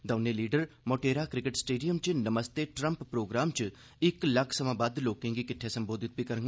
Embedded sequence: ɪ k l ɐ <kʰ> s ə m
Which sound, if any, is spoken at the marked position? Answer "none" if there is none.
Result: kʰ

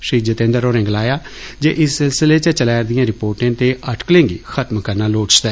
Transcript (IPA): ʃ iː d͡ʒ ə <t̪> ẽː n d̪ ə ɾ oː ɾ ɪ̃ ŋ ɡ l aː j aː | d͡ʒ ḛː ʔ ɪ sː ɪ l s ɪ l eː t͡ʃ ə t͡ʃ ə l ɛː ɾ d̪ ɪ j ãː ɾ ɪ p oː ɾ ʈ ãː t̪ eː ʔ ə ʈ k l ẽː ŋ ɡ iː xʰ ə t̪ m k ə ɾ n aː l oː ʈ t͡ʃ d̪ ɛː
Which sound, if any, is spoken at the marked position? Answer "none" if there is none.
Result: t̪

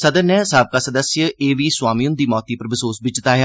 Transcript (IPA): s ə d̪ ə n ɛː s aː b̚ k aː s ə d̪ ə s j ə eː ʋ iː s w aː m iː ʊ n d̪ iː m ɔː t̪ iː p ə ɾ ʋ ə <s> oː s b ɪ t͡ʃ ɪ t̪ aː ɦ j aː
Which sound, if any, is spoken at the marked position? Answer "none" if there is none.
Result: s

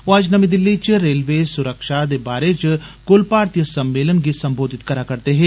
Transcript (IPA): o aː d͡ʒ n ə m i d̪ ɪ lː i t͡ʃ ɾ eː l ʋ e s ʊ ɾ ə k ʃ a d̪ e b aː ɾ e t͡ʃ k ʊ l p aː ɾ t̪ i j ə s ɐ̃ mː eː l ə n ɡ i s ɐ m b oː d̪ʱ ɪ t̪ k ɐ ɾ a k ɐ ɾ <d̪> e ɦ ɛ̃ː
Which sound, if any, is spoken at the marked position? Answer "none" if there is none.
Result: t̪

